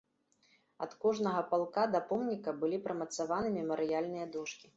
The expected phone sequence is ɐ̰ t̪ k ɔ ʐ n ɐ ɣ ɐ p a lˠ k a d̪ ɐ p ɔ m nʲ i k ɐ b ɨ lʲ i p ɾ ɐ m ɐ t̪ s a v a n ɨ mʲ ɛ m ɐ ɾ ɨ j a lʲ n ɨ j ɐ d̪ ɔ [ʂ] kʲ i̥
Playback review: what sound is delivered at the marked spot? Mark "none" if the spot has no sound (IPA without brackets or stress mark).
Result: ʂ